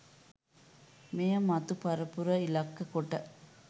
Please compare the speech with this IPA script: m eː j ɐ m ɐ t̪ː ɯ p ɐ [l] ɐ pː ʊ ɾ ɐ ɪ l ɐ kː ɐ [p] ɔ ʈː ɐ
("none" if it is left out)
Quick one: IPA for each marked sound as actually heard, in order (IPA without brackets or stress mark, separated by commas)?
ɾ, k